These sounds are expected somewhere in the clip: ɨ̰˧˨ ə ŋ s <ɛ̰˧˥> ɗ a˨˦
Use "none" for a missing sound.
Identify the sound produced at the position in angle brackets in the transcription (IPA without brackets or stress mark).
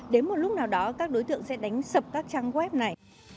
ɛ̰˧˥